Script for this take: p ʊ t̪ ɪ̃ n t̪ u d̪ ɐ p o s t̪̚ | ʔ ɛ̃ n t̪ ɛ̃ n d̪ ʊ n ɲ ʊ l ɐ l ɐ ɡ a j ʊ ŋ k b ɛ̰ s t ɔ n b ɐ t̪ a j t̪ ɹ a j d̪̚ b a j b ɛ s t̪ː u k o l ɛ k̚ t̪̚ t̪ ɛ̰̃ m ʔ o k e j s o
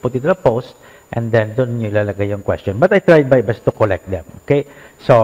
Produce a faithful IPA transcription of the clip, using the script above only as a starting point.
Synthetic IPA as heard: p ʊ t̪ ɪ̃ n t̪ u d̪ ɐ p o s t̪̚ | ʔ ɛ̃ n d̪ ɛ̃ n d̪ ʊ n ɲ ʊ l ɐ l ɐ ɡ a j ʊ ŋ k w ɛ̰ s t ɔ n b ɐ t̪ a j t̪ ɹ a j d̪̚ b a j b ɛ s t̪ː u k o l ɛ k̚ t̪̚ d̪ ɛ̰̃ m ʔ o k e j s o